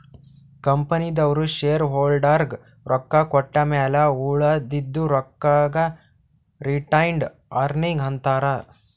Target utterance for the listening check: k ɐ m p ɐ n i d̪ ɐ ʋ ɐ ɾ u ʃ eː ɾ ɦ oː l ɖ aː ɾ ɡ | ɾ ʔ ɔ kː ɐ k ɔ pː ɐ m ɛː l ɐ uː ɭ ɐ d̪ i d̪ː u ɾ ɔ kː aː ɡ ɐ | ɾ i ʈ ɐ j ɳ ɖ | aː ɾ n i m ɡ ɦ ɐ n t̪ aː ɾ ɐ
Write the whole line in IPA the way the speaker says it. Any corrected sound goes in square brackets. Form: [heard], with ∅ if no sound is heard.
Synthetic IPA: k ɐ m p ɐ n i d̪ ɐ ʋ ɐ ɾ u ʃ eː ɾ ɦ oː l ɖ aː ɾ ɡ | ɾ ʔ ɔ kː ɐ k ɔ [ʈː] ɐ m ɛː l ɐ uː ɭ ɐ d̪ i d̪ː u ɾ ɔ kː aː ɡ ɐ | ɾ i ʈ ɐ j ɳ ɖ | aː ɾ n i [ŋ] ɡ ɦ ɐ n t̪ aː ɾ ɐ